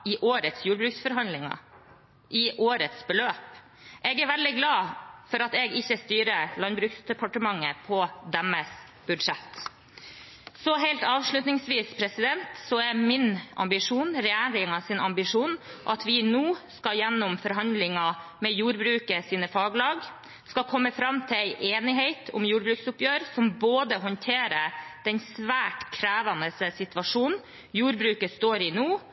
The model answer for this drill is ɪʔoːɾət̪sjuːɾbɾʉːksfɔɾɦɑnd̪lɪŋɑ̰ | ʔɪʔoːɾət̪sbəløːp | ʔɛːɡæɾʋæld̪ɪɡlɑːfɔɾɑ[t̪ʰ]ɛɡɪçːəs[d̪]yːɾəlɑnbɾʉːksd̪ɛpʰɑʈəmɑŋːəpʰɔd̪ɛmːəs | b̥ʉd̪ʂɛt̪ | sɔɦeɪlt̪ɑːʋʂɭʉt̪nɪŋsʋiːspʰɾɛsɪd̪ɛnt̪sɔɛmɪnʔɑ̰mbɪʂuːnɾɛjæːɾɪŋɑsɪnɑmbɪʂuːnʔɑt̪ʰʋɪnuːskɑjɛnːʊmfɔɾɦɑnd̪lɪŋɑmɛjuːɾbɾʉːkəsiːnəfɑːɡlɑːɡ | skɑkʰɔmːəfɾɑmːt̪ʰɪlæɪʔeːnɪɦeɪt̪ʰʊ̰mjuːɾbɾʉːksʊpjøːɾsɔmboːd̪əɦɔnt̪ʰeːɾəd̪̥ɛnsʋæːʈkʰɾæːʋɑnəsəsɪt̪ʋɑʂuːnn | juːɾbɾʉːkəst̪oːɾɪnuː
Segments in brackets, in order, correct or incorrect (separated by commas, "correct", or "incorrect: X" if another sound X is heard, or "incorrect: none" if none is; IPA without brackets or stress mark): incorrect: t̪, incorrect: t̪